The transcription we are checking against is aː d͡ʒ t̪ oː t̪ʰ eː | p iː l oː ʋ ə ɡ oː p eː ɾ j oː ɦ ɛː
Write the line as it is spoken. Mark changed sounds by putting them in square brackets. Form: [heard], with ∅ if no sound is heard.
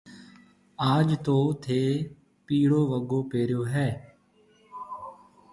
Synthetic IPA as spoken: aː d͡ʒ t̪ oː t̪ʰ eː | p iː [ɽ] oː ʋ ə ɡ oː p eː ɾ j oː ɦ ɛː